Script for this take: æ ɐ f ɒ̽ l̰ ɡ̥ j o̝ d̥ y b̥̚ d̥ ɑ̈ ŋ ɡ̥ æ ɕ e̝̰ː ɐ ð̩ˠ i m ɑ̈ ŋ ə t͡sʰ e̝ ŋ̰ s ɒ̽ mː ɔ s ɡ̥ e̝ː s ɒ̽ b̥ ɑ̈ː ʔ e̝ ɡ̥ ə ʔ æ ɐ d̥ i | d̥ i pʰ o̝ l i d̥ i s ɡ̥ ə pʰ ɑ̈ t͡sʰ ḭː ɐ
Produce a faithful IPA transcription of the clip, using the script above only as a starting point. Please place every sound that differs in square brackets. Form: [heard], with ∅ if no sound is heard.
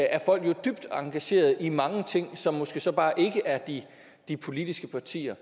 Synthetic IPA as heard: æ ɐ f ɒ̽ l̰ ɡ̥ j o̝ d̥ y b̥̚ d̥ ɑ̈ ŋ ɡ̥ æ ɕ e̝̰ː ɐ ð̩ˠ i m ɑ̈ ŋ ə t͡sʰ e̝ ŋ̰ s ɒ̽ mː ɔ s ɡ̥ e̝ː s ɒ̽ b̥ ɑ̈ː ʔ e̝ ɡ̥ ə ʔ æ ɐ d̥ i | d̥ i pʰ o̝ l i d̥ i s ɡ̥ ə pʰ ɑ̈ t͡sʰ ḭː ɐ